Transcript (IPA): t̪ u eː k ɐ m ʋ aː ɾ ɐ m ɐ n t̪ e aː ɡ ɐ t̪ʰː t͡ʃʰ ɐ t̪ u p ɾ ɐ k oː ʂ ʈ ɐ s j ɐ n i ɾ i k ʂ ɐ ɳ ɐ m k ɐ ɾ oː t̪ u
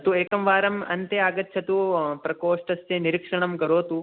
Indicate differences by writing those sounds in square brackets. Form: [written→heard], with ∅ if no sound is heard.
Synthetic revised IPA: t̪ u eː k ɐ m ʋ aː ɾ ɐ m ɐ n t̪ e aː ɡ ɐ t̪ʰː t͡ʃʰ ɐ t̪ u p ɾ ɐ k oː ʂ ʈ ɐ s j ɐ n i ɾ i k ʂ ɐ ɳ ɐ m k ɐ ɾ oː t̪ u

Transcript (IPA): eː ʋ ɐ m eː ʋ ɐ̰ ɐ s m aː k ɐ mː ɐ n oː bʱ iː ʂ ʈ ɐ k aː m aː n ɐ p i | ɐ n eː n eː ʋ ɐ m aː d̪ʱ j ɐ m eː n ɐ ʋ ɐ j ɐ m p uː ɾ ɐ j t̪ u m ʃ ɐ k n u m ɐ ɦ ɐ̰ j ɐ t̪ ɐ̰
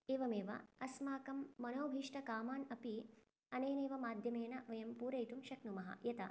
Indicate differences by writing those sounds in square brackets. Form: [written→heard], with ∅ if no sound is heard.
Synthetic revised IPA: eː ʋ ɐ m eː ʋ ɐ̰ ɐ s m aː k ɐ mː ɐ n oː bʱ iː ʂ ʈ ɐ k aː m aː n ɐ p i | ɐ n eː n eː ʋ ɐ m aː d̪ʱ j ɐ m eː n ɐ ʋ ɐ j ɐ m p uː ɾ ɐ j t̪ u m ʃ ɐ k n u m ɐ ɦ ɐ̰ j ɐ t̪ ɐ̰

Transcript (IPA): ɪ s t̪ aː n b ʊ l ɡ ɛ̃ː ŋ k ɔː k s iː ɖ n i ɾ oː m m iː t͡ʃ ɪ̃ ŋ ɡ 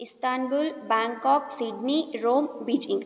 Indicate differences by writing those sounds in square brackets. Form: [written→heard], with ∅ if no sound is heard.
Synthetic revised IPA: ɪ s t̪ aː n b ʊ l [ɡ→b] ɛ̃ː ŋ k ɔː k s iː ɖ n i ɾ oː m [m→b] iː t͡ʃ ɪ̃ ŋ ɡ

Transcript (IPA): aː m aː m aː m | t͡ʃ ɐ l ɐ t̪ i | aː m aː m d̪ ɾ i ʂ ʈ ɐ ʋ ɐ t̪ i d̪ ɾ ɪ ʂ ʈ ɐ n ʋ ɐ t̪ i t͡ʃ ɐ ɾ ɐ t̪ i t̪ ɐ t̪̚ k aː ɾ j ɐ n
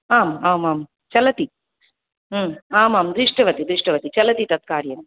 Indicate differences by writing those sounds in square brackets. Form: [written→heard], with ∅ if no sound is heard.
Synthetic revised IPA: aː m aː m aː m | t͡ʃ ɐ l ɐ t̪ i | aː m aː m d̪ ɾ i ʂ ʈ ɐ ʋ ɐ t̪ i d̪ ɾ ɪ ʂ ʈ ɐ [n→∅] ʋ ɐ t̪ i t͡ʃ ɐ [ɾ→l] ɐ t̪ i t̪ ɐ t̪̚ k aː ɾ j ɐ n

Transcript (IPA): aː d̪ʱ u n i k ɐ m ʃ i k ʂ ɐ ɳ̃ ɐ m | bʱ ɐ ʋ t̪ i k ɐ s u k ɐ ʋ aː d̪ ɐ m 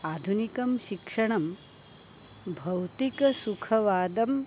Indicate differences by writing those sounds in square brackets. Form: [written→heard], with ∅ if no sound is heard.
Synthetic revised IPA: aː d̪ʱ u n i k ɐ m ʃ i k ʂ ɐ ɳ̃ ɐ m | bʱ ɐ [ʋ→w] t̪ i k ɐ s u [k→kʰ] ɐ ʋ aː d̪ ɐ m

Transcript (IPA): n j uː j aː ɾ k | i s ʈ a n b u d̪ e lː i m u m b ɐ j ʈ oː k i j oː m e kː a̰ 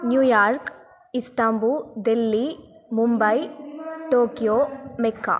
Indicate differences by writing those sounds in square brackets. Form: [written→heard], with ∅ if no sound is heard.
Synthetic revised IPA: n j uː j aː ɾ k | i s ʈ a [n→m] b u d̪ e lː i m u m b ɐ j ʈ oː k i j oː m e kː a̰

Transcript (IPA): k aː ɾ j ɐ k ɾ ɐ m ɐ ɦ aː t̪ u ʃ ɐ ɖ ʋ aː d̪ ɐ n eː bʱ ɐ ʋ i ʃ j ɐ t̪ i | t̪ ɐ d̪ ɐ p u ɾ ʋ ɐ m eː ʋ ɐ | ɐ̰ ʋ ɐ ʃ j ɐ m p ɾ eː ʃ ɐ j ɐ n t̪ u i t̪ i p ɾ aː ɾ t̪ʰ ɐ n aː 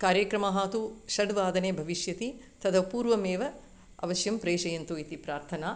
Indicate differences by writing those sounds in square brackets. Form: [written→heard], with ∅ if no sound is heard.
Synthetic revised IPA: k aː ɾ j ɐ k ɾ ɐ m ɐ ɦ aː t̪ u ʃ ɐ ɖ ʋ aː d̪ ɐ n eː bʱ ɐ ʋ i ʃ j ɐ t̪ i | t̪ ɐ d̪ ɐ p [u→uː] ɾ ʋ ɐ m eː ʋ ɐ | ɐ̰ ʋ ɐ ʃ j ɐ m p ɾ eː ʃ ɐ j ɐ n t̪ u i t̪ i p ɾ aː ɾ t̪ʰ ɐ n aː

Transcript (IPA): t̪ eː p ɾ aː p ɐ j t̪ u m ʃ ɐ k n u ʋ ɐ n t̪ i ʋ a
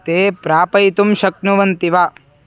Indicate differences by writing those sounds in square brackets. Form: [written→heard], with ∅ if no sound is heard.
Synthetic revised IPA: t̪ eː p ɾ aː p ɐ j t̪ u m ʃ ɐ k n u ʋ ɐ n t̪ i ʋ a

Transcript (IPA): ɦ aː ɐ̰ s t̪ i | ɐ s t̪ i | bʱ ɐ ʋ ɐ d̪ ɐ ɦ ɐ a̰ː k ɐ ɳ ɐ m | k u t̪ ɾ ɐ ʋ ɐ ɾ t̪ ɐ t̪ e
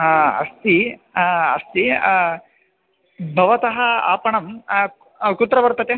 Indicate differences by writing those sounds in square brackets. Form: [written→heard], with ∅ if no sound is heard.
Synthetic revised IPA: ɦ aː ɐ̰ s t̪ i | ɐ s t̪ i | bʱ ɐ ʋ ɐ [d̪→t̪] ɐ ɦ ɐ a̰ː [k→p] ɐ ɳ ɐ m | k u t̪ ɾ ɐ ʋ ɐ ɾ t̪ ɐ t̪ e

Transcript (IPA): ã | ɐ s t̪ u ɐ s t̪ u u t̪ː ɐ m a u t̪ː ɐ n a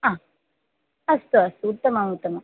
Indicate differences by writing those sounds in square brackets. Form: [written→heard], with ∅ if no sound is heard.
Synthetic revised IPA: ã | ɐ s t̪ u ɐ s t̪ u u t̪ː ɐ m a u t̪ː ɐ [n→m] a

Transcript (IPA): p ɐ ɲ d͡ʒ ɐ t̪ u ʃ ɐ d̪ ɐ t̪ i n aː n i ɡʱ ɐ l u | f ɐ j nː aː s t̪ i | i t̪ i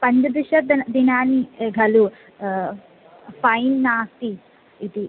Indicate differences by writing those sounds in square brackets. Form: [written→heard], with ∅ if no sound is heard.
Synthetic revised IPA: p ɐ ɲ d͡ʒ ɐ [t̪→d̪] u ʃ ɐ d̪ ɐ [t̪→d̪] i n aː n i ɡʱ ɐ l u | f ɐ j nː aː s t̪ i | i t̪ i

